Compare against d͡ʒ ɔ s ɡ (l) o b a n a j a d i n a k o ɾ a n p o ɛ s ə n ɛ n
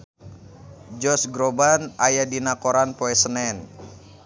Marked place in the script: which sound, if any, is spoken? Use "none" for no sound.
ɾ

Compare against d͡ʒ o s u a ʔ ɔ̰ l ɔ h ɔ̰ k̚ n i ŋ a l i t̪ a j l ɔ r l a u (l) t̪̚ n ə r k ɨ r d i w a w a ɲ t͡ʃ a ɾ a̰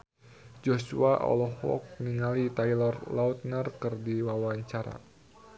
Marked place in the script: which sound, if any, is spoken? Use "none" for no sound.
none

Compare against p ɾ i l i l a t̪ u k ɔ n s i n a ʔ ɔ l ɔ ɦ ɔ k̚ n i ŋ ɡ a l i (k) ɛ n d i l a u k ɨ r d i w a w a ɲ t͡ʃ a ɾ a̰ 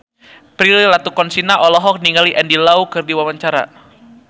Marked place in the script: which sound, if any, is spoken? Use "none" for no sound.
ʔ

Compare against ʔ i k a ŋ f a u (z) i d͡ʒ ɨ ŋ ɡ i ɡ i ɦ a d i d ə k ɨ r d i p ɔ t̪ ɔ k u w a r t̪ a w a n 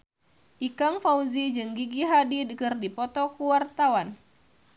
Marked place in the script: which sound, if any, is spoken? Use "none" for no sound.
z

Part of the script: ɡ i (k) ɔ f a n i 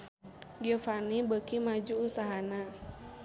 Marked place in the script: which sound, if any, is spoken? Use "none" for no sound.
none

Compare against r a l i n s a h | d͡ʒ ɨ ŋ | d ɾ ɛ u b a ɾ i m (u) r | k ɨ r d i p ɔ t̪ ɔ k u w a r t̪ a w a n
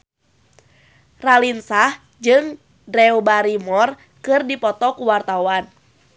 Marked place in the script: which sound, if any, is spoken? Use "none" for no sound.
ɔ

